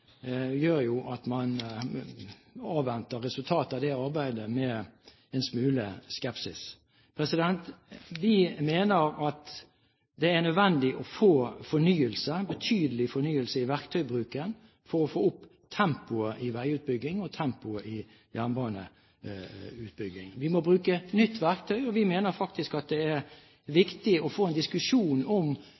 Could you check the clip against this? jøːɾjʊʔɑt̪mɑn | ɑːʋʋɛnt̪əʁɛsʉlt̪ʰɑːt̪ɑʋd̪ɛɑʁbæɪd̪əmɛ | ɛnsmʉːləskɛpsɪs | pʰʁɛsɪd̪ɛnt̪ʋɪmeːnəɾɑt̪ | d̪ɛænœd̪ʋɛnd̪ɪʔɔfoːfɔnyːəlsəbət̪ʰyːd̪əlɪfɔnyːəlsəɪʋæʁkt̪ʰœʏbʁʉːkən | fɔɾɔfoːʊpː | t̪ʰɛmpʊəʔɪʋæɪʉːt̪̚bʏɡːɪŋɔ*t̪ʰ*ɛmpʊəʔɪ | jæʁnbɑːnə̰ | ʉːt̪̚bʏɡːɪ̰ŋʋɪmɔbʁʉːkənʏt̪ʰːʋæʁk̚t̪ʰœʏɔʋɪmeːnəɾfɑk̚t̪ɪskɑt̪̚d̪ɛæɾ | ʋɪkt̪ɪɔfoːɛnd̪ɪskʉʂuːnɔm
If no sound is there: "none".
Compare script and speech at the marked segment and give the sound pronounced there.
t̪ʰ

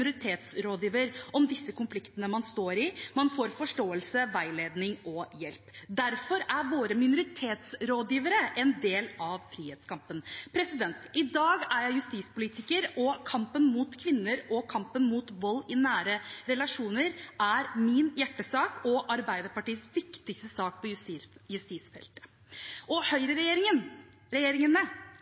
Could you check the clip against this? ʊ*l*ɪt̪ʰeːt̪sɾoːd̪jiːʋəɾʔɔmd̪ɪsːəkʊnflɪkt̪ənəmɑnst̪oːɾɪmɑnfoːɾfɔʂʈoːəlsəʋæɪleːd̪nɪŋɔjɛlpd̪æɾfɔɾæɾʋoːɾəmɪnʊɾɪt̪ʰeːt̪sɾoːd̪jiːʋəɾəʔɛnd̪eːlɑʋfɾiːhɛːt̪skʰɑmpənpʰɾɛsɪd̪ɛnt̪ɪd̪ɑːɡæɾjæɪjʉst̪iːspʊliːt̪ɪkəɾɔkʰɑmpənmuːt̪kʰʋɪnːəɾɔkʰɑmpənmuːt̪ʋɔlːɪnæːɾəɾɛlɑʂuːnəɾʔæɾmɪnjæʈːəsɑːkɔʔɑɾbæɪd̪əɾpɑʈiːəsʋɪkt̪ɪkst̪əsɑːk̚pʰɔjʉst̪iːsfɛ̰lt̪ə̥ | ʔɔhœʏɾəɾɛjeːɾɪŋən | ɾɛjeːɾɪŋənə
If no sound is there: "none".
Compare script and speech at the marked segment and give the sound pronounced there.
ɾ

